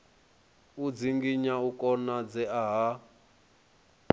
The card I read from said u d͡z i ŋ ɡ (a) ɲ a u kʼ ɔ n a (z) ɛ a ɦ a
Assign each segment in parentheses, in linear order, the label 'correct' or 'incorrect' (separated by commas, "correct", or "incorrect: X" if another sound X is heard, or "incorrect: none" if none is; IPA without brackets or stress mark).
incorrect: i, incorrect: d͡z